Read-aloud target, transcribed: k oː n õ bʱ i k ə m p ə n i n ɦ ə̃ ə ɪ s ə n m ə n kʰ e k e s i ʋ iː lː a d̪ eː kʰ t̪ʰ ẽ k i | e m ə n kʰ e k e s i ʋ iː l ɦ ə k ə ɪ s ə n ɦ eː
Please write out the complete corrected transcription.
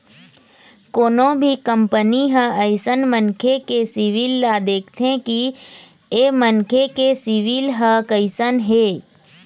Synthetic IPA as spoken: k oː n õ bʱ i k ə m p ə n i ɦ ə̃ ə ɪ s ə n m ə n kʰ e k e s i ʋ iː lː a d̪ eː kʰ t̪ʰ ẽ k i | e m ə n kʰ e k e s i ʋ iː l ɦ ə k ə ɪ s ə n ɦ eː